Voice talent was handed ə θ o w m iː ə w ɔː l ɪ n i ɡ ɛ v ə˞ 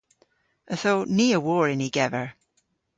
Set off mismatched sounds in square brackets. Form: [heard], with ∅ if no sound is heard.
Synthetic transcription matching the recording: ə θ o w [n] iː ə w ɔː [ɹ] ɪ n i ɡ ɛ v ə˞